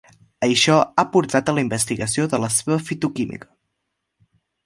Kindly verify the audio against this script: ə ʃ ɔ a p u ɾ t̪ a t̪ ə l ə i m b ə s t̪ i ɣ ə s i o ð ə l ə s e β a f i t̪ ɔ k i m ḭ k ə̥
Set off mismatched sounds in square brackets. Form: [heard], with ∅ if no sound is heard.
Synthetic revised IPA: ə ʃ ɔ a p u ɾ t̪ a t̪ ə l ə i m b ə s t̪ i ɣ ə s i o ð ə l ə s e β [ə] f i t̪ [u] k i m ḭ k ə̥